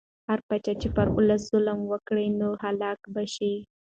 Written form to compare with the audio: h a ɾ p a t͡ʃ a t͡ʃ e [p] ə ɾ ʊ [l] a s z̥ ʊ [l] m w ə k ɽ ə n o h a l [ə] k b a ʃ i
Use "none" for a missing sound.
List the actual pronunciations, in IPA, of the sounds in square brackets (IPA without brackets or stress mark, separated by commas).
p, l, l, ɑ